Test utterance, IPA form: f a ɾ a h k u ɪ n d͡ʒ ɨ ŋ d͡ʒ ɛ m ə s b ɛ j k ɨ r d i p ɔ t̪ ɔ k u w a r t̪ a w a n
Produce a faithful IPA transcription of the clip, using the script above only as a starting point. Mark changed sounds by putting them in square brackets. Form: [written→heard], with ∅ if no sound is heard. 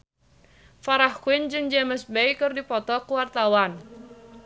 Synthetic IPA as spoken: f a ɾ a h k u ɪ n d͡ʒ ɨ ŋ d͡ʒ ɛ m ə s b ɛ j k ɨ r d i p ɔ t̪ ɔ k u w a r t̪ a w a n